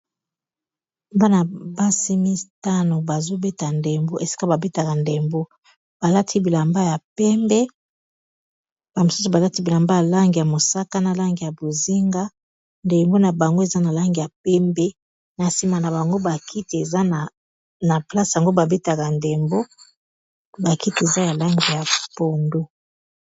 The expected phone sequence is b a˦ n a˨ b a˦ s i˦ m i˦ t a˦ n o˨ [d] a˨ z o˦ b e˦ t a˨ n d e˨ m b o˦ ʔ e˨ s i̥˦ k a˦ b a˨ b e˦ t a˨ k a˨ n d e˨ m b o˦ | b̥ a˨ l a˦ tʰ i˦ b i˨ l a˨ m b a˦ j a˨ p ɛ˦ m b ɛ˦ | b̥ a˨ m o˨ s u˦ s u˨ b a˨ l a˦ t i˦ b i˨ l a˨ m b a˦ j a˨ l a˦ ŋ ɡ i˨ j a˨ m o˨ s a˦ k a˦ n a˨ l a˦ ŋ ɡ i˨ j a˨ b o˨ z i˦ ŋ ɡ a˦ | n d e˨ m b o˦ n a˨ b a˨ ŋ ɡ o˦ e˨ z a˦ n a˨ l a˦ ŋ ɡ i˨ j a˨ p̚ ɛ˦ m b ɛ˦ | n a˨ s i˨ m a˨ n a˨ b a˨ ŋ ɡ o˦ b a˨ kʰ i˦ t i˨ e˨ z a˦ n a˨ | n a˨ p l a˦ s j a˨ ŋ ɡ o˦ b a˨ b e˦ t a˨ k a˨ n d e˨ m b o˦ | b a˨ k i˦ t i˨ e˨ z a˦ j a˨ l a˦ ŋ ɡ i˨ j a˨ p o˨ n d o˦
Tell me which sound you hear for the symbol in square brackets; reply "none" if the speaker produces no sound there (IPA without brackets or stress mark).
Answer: b